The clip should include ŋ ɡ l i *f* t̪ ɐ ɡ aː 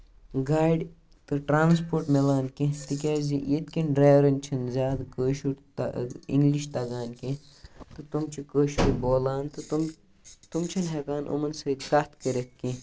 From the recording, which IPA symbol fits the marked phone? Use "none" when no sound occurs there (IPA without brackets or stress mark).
ʃ